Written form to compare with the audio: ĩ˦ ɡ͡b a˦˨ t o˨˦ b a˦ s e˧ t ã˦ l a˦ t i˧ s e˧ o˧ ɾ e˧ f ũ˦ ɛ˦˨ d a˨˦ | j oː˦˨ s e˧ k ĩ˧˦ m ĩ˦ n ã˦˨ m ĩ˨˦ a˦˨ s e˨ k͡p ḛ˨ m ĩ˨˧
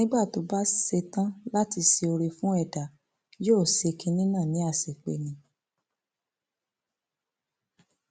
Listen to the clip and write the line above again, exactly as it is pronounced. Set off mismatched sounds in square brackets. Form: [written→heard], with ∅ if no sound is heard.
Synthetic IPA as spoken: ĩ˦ ɡ͡b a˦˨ t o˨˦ b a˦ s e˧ t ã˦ l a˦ t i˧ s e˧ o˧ ɾ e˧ f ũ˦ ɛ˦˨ d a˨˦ | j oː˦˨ s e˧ k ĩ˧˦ [m→n] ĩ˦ n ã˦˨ [m→n] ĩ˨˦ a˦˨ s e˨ k͡p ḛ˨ [m→n] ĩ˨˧